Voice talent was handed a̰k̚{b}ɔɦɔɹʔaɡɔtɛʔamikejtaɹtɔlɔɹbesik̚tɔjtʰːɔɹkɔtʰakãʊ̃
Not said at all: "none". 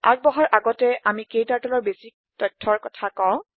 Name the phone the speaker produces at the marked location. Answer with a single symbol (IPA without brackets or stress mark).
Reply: b